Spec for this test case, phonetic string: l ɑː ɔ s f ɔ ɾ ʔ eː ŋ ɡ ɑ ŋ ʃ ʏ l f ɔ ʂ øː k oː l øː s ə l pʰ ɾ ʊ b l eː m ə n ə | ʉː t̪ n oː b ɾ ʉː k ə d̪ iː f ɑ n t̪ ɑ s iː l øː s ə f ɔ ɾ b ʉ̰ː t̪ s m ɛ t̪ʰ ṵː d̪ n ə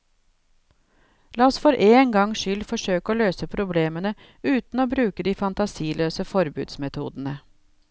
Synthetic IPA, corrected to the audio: l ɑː ɔ s f ɔ ɾ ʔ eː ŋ ɡ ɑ ŋ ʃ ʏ l f ɔ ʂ øː k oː l øː s ə pʰ ɾ ʊ b l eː m ə n ə | ʉː t̪ n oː b ɾ ʉː k ə d̪ iː f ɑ n t̪ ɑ s iː l øː s ə f ɔ ɾ b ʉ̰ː d̪ s m ɛ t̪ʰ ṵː d̪ n ə

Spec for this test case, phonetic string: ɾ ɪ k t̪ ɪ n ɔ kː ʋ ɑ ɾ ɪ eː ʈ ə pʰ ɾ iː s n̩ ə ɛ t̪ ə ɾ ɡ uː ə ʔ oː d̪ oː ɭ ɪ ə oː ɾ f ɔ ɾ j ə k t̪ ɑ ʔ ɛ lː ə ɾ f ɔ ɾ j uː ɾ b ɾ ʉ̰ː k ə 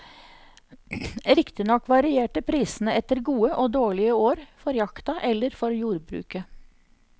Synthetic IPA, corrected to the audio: ɾ ɪ k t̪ ɪ n ɔ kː ʋ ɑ ɾ ɪ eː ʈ ə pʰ ɾ iː s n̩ ə ɛ t̪ ə ɾ ɡ uː ə ʔ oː d̪ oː ɭ ɪ ə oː ɾ f ɔ ɾ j ɑ k t̪ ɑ ʔ ɛ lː ə ɾ f ɔ ɾ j uː ɾ b ɾ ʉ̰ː k ə

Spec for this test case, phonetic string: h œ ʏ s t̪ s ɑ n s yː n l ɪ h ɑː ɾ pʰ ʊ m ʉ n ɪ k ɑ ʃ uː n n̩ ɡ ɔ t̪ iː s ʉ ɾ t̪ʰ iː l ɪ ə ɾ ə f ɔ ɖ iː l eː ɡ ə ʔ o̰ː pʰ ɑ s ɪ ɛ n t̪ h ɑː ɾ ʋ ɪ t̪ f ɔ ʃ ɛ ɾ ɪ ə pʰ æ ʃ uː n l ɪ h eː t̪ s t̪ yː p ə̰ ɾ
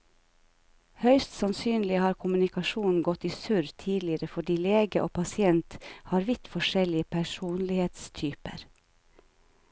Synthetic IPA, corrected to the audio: h œ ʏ s t̪ s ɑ n s yː n l ɪ h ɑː ɾ kʰ ʊ m ʉ n ɪ k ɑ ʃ uː n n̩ ɡ ɔ t̪ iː s ʉ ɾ t̪ʰ iː l ɪ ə ɾ ə f ɔ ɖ iː l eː ɡ ə ʔ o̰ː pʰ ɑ s ɪ ɛ n t̪ h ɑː ɾ ʋ ɪ t̪ f ɔ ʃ ɛ l ɪ ə pʰ æ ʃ uː n l ɪ h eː t̪ s t̪ʰ yː p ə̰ ɾ

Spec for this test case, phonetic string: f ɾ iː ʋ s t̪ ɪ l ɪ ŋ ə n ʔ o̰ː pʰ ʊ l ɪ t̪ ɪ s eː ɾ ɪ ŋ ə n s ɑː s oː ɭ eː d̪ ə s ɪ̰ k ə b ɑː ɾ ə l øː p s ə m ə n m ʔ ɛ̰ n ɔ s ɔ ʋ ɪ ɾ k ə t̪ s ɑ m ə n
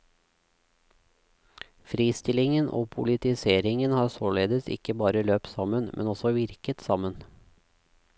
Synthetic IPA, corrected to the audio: f ɾ iː s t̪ ɪ l ɪ ŋ ə n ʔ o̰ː pʰ ʊ l ɪ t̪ ɪ s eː ɾ ɪ ŋ ə n h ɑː s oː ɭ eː d̪ ə s ɪ̰ k ə b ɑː ɾ ə l øː p s ɑ m ə n m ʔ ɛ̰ n ɔ s ɔ ʋ ɪ ɾ k ə t̪ s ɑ m ə n

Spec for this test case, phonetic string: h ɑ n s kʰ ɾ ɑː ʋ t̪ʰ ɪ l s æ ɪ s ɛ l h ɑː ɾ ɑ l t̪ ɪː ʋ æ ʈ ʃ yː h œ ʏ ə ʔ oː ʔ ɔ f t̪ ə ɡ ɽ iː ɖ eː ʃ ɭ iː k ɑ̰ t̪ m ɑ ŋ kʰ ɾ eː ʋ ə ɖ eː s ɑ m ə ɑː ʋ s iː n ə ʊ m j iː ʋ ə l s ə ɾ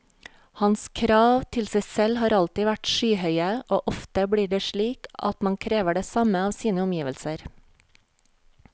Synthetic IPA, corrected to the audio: h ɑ n s kʰ ɾ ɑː ʋ t̪ʰ ɪ l s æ ɪ s ɛ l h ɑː ɾ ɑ l t̪ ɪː ʋ æ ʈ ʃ yː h œ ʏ ə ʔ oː ʔ ɔ f t̪ ə b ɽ iː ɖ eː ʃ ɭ iː k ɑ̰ t̪ m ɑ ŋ kʰ ɾ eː ʋ ə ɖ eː s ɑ m ə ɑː ʋ s iː n ə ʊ m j iː ʋ ə l s ə ɾ

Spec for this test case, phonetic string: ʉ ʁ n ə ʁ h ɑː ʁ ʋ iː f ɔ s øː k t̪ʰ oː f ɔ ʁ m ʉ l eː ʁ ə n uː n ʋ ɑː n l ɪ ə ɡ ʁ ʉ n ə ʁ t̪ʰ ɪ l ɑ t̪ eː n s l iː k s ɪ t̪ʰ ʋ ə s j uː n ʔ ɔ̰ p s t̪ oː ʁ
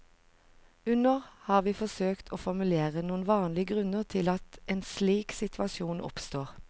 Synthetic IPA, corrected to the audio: ʉ n ə ʁ h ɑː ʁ ʋ iː f ɔ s øː k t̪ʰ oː f ɔ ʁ m ʉ l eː ʁ ə n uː n ʋ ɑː n l ɪ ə ɡ ʁ ʉ n ə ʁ t̪ʰ ɪ l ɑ t̪ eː n s l iː k s ɪ t̪ʰ ʋ ɑ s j uː n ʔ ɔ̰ p s t̪ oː ʁ

